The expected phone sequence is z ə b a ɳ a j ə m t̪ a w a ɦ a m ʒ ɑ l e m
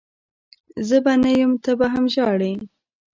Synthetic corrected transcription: z ə b a n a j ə m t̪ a b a ɦ a m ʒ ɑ ɽ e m